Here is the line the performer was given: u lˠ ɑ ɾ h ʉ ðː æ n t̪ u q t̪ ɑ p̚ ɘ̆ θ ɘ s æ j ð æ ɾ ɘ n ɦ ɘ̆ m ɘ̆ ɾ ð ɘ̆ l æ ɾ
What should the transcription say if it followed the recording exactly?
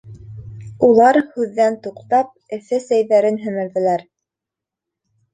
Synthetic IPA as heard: u lˠ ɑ ɾ h ʉ ðː æ n t̪ u q t̪ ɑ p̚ ɘ̆ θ ɘ s æ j ð æ ɾ ɘ n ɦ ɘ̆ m ɘ̆ ɾ ð ɘ̆ l æ ɾ